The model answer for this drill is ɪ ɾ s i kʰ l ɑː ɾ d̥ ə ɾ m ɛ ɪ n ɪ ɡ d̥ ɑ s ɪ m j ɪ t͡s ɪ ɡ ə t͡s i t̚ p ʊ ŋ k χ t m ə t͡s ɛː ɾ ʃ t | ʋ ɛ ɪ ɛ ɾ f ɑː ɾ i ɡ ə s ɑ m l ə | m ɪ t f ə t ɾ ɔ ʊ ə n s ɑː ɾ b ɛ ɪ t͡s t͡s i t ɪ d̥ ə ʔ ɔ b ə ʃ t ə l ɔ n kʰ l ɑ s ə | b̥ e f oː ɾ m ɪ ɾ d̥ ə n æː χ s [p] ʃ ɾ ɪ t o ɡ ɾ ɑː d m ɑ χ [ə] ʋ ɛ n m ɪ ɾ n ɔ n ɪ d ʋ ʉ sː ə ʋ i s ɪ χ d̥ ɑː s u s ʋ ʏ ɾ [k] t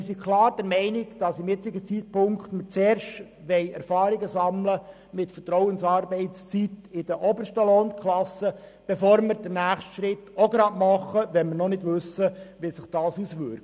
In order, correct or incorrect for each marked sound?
incorrect, correct, correct

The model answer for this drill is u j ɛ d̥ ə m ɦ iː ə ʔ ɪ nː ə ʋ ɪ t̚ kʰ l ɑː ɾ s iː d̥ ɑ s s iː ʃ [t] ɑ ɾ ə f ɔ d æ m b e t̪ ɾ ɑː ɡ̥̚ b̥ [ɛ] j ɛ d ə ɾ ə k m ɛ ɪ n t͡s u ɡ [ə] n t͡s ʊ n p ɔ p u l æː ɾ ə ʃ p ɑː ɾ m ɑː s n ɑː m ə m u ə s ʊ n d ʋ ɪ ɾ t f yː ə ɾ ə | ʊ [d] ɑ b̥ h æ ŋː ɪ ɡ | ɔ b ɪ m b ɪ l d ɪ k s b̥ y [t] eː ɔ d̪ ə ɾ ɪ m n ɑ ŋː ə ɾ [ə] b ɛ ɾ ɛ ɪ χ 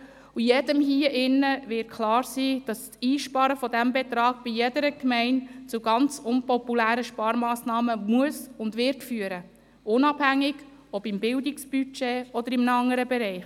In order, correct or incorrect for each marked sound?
incorrect, incorrect, incorrect, incorrect, incorrect, correct

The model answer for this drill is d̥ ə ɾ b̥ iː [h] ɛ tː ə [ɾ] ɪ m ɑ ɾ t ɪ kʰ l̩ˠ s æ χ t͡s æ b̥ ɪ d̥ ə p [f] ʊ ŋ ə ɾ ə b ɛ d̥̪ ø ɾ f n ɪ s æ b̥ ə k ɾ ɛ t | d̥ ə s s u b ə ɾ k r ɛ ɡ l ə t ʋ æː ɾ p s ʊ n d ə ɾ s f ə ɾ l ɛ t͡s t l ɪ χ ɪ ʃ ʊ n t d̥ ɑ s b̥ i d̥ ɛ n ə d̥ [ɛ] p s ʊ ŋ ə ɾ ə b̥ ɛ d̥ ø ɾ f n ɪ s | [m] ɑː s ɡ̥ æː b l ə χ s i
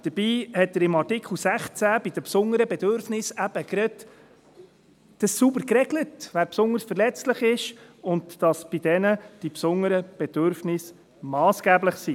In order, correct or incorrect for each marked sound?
correct, correct, incorrect, incorrect, correct

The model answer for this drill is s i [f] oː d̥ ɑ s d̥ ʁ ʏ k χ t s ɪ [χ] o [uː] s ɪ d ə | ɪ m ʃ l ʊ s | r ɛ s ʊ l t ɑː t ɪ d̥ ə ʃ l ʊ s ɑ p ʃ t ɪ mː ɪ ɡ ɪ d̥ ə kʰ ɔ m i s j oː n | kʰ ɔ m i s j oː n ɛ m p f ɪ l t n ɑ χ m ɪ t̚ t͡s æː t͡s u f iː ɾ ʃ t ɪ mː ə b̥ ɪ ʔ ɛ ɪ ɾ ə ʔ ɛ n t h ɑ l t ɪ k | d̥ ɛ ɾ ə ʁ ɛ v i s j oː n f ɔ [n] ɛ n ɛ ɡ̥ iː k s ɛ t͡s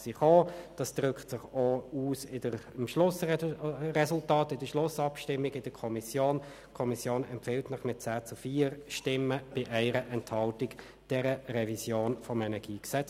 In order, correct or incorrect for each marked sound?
incorrect, correct, correct, incorrect

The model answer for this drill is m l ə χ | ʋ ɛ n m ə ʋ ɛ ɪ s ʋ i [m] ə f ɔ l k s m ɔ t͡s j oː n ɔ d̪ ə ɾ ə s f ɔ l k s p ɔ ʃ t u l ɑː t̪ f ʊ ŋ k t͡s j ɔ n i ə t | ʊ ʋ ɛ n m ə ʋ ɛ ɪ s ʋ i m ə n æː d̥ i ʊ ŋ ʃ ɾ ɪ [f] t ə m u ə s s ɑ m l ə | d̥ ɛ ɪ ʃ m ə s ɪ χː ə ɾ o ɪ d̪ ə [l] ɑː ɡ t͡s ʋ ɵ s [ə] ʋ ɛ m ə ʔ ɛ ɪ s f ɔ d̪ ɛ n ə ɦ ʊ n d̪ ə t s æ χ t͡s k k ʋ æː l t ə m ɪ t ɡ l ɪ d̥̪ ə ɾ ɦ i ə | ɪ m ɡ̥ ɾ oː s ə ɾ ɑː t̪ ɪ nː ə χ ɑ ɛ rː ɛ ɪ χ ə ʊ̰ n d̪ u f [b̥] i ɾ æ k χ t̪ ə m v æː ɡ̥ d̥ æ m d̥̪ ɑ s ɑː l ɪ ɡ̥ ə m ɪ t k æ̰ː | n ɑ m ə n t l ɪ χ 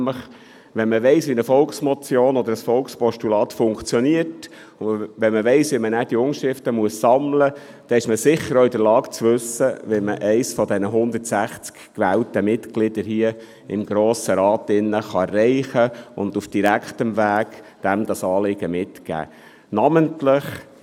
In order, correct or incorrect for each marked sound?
incorrect, correct, correct, correct, incorrect

